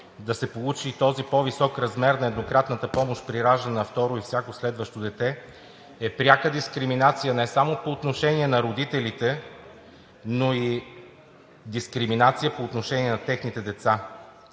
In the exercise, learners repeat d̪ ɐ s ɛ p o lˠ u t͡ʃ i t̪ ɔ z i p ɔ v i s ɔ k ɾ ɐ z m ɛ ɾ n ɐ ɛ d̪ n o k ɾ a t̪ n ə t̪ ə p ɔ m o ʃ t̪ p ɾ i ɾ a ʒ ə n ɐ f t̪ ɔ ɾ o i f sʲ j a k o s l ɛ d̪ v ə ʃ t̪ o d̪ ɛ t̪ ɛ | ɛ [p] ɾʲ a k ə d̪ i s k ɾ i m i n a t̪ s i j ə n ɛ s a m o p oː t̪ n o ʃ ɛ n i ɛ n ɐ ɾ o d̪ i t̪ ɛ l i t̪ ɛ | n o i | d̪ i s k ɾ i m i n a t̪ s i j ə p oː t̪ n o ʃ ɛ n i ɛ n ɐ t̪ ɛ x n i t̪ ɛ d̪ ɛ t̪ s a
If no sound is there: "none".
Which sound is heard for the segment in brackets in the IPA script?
p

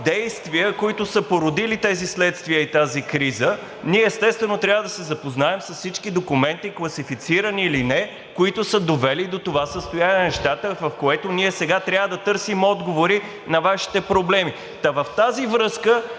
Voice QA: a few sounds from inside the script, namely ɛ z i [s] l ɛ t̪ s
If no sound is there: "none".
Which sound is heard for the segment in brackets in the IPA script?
s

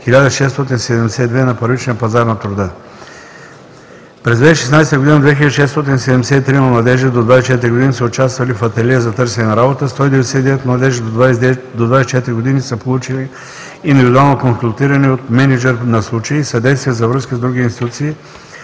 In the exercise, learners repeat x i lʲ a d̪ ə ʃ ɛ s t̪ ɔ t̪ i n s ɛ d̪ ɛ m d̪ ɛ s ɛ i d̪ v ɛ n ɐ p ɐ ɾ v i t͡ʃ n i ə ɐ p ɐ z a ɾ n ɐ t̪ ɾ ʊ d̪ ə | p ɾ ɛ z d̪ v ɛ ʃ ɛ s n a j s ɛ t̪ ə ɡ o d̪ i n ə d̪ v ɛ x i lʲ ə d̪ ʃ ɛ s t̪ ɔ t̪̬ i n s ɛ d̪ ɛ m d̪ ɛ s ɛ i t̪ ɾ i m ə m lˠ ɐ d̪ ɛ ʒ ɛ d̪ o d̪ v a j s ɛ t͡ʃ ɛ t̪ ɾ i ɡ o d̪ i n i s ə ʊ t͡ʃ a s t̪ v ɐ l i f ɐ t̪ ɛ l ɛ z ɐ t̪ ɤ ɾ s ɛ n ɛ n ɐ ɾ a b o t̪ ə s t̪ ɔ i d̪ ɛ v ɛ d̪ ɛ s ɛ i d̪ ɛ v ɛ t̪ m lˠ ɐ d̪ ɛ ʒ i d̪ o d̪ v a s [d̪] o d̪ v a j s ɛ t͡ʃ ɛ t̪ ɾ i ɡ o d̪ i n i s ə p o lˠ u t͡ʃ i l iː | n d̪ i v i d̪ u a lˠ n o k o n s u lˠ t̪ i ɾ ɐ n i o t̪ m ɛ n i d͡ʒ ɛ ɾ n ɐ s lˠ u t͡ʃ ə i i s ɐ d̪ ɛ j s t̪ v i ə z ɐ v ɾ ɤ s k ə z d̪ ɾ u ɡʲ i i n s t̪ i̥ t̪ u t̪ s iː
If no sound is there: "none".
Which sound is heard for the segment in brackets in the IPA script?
d̪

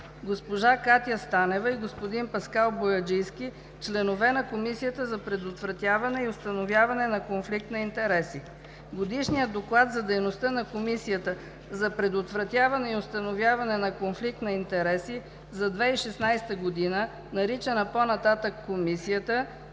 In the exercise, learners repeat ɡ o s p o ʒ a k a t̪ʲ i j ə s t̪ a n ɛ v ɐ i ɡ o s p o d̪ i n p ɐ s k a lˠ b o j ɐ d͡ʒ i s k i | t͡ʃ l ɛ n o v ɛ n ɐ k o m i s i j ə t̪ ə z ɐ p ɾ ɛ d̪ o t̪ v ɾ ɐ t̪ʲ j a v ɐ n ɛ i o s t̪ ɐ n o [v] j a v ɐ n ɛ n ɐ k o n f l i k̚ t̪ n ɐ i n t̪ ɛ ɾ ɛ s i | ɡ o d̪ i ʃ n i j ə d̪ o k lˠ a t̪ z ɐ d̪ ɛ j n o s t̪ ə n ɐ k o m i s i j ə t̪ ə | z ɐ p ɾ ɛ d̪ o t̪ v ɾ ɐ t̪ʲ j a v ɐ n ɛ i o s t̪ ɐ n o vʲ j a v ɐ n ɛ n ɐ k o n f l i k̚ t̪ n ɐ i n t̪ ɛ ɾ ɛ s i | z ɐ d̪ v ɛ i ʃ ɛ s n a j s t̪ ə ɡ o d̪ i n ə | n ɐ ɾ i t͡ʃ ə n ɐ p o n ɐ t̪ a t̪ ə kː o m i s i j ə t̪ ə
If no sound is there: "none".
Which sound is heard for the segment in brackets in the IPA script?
v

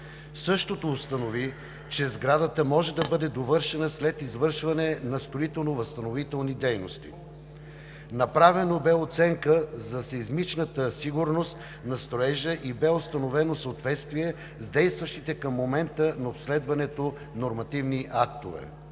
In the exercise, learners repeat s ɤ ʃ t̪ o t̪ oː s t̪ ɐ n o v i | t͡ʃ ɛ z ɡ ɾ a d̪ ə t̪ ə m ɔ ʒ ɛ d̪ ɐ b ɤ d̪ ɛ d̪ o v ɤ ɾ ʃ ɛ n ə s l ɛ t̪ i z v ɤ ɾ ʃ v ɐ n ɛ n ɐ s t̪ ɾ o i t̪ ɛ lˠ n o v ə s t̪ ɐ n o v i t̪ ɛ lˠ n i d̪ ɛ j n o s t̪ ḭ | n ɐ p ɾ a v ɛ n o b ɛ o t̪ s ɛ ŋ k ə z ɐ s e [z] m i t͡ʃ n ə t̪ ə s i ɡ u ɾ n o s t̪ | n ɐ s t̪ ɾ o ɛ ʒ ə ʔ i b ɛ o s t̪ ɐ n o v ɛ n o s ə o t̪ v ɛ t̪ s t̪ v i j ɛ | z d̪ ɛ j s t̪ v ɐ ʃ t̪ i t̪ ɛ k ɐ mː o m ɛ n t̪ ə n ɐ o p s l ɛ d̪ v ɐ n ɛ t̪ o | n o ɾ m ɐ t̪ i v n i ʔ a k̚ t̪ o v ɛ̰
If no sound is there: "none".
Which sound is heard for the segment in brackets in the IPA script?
z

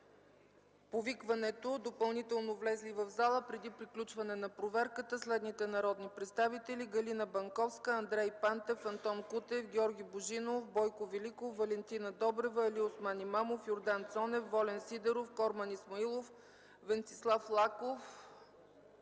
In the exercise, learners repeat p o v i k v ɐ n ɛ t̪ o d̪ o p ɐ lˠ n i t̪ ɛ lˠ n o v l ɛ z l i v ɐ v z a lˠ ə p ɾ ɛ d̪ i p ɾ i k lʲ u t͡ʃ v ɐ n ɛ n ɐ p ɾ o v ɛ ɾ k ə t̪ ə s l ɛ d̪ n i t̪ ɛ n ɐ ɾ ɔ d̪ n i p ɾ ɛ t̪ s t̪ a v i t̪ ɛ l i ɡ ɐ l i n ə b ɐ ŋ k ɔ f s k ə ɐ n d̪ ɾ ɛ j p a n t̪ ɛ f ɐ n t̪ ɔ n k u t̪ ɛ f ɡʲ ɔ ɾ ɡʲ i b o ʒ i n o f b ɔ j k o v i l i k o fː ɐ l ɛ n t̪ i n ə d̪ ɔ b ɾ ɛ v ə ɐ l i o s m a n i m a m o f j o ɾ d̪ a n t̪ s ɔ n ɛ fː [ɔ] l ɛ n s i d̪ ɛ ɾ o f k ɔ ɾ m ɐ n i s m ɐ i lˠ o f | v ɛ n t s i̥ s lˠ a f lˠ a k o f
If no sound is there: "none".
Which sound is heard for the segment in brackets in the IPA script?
ɔ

